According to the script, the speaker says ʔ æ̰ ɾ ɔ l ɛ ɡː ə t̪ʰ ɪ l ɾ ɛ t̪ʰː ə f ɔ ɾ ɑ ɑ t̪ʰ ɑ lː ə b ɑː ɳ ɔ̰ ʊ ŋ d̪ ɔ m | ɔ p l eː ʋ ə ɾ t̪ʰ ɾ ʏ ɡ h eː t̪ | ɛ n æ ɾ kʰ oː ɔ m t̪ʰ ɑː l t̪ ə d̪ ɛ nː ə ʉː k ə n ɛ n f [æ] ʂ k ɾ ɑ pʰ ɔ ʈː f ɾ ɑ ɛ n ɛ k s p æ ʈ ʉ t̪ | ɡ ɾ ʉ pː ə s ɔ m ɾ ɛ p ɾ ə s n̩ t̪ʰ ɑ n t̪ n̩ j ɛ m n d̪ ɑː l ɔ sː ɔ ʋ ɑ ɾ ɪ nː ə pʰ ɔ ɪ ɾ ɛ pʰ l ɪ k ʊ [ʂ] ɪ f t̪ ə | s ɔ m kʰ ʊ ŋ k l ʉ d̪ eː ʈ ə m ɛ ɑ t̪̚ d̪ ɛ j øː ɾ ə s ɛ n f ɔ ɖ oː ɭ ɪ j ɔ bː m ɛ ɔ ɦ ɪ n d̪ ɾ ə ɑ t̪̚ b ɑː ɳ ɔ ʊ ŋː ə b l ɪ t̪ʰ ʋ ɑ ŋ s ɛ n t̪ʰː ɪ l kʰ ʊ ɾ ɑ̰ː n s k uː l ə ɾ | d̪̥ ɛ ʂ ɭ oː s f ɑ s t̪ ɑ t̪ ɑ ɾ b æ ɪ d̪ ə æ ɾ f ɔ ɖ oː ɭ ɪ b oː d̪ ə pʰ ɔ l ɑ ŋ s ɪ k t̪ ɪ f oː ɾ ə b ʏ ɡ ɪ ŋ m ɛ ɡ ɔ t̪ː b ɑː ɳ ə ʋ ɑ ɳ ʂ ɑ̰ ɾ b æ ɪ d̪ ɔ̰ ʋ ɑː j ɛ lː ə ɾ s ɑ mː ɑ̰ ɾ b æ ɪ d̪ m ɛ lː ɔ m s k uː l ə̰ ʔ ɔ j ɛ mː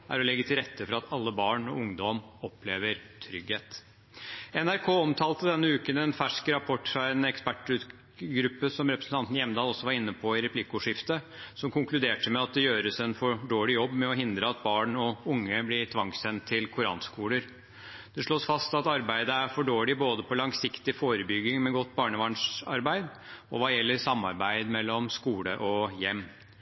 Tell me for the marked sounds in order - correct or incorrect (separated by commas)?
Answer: correct, correct